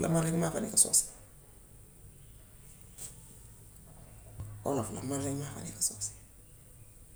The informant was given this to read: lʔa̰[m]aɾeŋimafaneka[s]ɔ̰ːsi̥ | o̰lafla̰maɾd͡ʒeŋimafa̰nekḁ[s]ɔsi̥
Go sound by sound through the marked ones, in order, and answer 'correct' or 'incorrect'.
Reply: correct, correct, correct

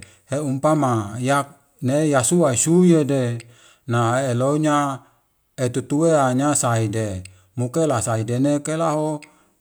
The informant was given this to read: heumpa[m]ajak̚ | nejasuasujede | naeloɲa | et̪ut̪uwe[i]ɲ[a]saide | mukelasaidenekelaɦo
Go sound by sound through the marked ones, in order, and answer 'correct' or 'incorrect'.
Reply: correct, incorrect: a, correct

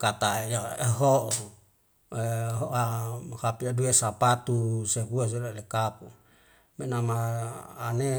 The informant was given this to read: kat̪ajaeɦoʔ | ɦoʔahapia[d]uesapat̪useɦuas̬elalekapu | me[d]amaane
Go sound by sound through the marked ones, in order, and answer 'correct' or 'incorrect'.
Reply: correct, incorrect: n

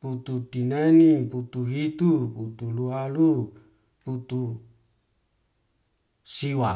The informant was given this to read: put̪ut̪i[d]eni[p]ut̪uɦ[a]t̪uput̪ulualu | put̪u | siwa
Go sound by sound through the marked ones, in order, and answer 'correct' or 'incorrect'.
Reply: incorrect: n, correct, incorrect: i

